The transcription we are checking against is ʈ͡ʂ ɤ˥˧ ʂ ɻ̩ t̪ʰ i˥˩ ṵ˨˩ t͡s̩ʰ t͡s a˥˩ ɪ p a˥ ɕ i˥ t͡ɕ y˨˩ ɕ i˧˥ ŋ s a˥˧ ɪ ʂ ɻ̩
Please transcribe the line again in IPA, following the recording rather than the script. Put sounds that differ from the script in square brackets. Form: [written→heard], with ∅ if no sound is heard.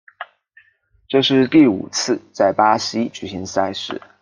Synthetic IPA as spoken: ʈ͡ʂ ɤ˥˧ ʂ ɻ̩ [t̪ʰ→t̪] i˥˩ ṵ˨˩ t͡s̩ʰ t͡s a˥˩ ɪ p a˥ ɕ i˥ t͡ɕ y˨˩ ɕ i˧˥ ŋ s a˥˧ ɪ ʂ ɻ̩